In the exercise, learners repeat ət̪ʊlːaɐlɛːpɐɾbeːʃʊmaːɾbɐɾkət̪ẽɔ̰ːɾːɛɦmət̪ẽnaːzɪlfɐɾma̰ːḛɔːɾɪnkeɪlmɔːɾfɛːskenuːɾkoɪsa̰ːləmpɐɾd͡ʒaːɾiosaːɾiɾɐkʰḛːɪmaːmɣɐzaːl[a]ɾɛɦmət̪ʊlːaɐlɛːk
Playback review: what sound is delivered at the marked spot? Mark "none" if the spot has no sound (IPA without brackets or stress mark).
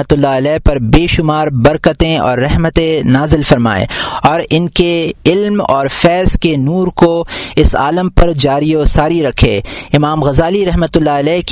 i